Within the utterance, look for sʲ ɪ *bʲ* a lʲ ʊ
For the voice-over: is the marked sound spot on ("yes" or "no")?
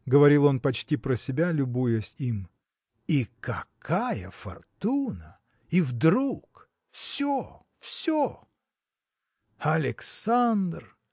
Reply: yes